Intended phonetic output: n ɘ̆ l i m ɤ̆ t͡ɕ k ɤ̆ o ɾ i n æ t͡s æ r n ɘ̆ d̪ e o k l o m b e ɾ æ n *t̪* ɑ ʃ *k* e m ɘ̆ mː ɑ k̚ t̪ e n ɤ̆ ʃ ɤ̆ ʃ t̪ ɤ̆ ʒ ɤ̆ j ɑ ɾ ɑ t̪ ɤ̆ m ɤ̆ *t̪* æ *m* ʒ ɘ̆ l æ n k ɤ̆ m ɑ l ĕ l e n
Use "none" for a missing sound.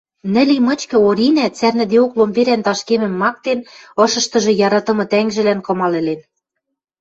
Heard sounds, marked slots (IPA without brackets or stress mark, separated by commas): t̪, k, t̪, ŋ